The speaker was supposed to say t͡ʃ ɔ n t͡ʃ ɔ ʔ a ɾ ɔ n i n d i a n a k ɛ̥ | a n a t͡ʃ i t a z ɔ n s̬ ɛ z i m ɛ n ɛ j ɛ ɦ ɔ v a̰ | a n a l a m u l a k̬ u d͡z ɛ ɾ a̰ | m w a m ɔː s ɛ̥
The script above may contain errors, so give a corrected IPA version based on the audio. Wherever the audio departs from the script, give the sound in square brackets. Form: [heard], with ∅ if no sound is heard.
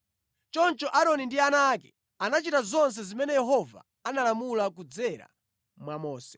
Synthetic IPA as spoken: t͡ʃ ɔ n t͡ʃ ɔ ʔ a ɾ ɔ n i n d i a n a k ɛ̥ | a n a t͡ʃ i t a z ɔ n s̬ ɛ z i m ɛ n ɛ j ɛ ɦ ɔ v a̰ | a n a l a m u l a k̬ u d͡z ɛ ɾ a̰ | m w a m ɔː s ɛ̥